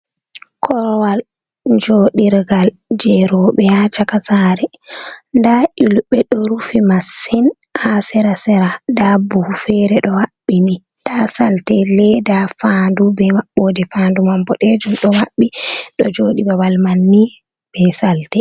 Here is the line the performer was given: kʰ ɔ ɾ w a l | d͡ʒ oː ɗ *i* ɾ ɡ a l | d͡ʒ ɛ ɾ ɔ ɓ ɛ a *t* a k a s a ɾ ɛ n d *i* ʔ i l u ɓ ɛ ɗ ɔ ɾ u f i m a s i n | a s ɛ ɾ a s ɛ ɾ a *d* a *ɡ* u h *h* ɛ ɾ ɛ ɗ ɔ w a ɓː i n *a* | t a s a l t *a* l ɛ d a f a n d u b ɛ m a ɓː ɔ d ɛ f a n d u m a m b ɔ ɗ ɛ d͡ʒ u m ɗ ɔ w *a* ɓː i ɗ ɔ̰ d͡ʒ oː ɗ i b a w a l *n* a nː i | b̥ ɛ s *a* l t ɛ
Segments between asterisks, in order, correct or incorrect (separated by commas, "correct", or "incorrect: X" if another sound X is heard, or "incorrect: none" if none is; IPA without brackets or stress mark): correct, incorrect: t͡ʃ, incorrect: a, correct, incorrect: b, incorrect: f, incorrect: i, incorrect: ɛ, correct, incorrect: m, correct